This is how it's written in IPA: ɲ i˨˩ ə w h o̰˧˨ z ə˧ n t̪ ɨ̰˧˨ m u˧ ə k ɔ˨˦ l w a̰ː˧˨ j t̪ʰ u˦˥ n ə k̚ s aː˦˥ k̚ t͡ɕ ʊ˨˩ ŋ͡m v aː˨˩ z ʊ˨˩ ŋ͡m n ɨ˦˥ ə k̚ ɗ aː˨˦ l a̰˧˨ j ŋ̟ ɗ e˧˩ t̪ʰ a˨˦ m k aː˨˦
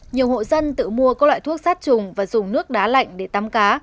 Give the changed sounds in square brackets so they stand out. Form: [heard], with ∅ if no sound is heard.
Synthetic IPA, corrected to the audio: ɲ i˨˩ ə w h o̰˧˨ z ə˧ n t̪ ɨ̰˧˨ m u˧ ə k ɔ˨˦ l w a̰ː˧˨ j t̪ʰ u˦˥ [∅] ə k̚ s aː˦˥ [t̚] t͡ɕ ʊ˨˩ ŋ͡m v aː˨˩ z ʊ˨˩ ŋ͡m n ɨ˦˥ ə k̚ ɗ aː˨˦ l a̰˧˨ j ŋ̟ ɗ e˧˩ [t̪] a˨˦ m k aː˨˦